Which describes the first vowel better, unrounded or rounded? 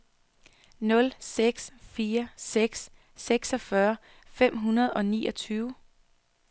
rounded